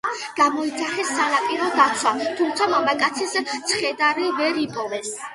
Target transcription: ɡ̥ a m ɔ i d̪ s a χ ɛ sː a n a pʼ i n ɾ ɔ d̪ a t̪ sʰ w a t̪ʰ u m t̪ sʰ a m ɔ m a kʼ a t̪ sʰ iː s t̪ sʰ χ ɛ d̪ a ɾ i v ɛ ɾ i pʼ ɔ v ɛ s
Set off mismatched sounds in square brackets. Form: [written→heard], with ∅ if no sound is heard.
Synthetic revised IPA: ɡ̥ a m ɔ i d̪ [s→z] a χ ɛ sː a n a pʼ i [n→∅] ɾ ɔ d̪ a t̪ sʰ w a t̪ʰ u m t̪ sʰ a m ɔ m a kʼ a t̪ sʰ [iː→i] s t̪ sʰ χ ɛ d̪ a ɾ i v ɛ ɾ i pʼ ɔ v ɛ s